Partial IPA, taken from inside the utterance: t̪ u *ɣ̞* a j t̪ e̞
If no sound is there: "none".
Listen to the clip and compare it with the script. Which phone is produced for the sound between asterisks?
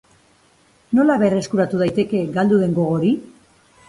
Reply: ð̞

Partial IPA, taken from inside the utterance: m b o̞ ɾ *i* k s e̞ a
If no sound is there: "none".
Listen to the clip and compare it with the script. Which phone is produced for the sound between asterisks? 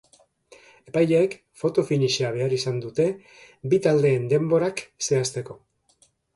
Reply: a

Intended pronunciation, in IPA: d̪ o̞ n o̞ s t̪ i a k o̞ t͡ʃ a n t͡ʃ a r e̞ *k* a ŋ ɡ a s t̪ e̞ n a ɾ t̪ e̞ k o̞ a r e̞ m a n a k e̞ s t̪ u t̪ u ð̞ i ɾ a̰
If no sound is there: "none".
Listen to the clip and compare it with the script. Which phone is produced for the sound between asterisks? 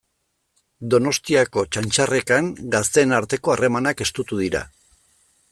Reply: k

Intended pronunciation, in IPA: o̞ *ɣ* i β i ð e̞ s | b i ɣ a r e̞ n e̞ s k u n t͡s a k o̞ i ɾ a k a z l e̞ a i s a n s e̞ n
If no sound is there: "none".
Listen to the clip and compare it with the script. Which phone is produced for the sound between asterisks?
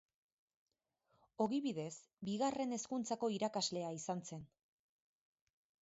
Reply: ɣ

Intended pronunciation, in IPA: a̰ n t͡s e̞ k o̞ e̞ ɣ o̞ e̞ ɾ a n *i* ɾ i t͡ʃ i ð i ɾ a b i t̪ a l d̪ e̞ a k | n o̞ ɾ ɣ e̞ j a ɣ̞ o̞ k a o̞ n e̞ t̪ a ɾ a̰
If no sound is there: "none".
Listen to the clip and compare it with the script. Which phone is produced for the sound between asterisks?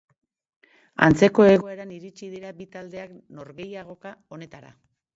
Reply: i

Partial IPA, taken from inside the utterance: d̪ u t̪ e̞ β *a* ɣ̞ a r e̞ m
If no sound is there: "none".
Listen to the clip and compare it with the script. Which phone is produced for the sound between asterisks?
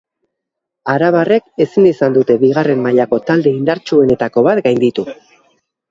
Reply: i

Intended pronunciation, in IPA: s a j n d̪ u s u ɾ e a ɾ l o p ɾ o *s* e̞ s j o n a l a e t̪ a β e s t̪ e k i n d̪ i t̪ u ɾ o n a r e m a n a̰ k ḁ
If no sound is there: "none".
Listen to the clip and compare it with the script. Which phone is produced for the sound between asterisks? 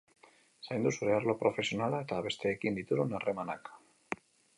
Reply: f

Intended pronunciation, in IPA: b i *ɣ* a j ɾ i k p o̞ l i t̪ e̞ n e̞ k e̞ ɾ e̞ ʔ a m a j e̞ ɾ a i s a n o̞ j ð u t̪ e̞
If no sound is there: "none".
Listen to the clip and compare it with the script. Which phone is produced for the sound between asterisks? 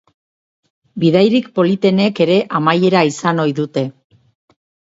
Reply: ð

